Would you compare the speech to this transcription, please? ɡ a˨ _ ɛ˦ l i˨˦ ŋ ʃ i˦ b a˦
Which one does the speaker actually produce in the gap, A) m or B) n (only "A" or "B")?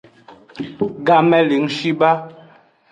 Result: A